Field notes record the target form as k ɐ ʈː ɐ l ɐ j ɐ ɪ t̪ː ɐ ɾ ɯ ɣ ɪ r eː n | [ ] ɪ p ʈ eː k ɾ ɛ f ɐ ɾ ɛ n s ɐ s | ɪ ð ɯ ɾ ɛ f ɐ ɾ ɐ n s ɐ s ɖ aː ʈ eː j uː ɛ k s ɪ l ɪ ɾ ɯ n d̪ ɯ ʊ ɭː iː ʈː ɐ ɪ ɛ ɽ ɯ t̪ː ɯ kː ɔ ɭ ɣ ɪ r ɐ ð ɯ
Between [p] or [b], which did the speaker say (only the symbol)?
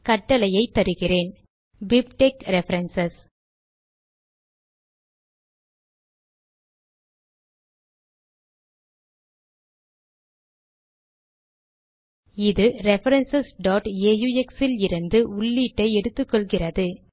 b